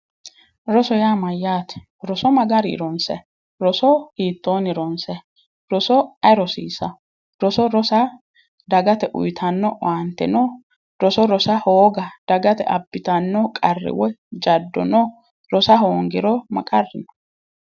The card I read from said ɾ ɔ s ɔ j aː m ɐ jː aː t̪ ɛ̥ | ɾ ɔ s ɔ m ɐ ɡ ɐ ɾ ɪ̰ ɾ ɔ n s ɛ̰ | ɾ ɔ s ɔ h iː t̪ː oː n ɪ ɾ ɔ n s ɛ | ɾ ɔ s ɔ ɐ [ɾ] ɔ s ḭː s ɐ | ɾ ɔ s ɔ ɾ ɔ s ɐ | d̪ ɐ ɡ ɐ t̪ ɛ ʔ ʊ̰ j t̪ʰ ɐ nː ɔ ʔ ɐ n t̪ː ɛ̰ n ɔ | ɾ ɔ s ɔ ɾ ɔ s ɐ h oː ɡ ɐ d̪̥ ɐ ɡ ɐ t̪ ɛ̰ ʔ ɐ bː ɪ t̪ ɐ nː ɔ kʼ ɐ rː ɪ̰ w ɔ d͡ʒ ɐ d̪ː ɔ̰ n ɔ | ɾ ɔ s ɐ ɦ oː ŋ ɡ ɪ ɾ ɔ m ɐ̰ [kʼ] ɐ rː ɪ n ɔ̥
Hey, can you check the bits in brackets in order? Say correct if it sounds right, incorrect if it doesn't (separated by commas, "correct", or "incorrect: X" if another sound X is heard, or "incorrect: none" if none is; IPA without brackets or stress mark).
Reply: correct, correct